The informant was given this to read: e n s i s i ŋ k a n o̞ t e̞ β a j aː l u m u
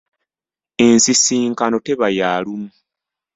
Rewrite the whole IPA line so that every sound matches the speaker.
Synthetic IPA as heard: e n s i s iː ŋ k a n o̞ t e̞ β a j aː l u m u